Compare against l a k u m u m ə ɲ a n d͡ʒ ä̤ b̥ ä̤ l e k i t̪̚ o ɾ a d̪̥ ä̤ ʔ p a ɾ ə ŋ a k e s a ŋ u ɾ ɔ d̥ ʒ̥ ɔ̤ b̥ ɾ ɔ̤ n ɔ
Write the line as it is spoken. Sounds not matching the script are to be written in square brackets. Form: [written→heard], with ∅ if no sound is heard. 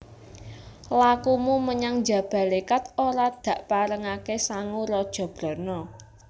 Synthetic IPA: l a k u m u m ə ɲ a [n→ŋ] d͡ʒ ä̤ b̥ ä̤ l e k [i→a] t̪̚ o ɾ a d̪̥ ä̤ ʔ p a ɾ ə ŋ a k e s a ŋ u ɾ ɔ d̥ ʒ̥ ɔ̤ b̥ ɾ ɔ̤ n ɔ